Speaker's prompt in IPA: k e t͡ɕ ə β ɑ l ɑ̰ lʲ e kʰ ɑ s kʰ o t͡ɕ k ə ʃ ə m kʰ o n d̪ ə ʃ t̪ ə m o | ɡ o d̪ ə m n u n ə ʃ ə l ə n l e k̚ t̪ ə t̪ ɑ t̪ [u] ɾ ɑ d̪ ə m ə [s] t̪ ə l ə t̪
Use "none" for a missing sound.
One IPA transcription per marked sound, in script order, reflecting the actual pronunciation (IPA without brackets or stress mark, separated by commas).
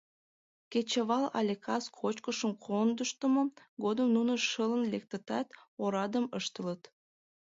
o, ʃ